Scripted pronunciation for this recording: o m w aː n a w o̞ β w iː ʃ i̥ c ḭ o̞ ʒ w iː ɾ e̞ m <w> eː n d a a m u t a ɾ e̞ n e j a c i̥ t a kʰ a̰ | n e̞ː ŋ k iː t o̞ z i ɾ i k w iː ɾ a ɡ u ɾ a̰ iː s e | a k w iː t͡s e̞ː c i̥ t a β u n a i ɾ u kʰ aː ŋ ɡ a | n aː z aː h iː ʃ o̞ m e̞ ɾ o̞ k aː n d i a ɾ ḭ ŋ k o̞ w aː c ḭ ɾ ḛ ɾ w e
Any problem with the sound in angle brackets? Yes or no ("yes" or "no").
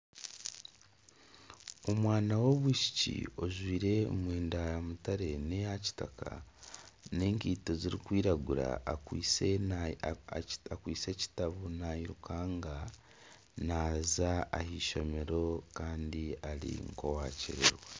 no